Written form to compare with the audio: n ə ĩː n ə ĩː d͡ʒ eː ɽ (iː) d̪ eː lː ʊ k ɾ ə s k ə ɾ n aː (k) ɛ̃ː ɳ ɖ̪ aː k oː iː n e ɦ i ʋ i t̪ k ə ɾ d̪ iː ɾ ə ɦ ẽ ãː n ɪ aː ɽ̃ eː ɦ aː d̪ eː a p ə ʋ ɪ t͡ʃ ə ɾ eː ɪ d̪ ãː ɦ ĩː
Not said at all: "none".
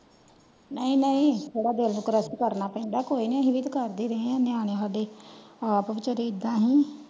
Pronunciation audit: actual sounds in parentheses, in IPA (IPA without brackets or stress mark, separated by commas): aː, p